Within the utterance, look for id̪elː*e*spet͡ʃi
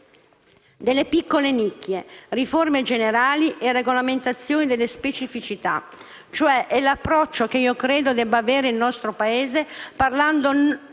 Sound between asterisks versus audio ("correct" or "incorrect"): correct